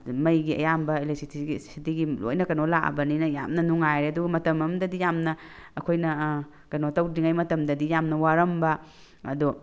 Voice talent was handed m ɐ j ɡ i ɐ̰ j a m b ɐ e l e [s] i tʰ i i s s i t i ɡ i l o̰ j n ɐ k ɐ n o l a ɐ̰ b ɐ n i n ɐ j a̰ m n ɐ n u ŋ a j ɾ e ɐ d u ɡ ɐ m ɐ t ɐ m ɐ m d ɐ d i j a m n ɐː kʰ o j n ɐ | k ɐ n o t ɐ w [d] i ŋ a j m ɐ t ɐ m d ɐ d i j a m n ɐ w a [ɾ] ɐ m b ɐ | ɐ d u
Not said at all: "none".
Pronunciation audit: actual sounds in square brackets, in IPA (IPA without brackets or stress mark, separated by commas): s, d, ɾ